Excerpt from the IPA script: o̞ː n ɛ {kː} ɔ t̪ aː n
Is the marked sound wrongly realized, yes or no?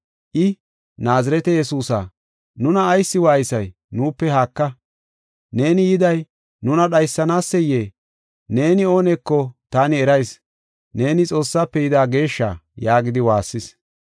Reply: no